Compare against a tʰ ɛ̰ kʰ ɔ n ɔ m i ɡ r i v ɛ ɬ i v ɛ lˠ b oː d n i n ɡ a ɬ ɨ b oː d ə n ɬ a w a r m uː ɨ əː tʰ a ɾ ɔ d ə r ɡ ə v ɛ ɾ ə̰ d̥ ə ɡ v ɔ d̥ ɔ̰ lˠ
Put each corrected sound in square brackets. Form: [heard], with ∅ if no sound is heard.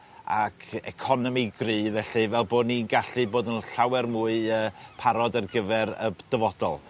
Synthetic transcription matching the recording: a [kʰ] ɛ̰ kʰ ɔ n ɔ m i ɡ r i v ɛ ɬ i v ɛ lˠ b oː d n i n ɡ a ɬ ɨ b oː d ə n ɬ a w [ɛ] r m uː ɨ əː [pʰ] a ɾ ɔ d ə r ɡ ə v ɛ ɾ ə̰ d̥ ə [∅] v ɔ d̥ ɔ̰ lˠ